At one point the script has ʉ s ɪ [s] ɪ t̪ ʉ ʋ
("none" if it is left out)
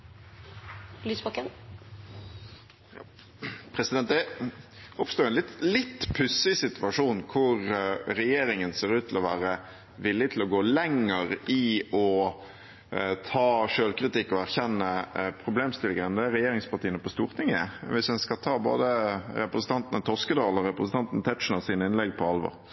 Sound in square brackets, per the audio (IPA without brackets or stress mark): s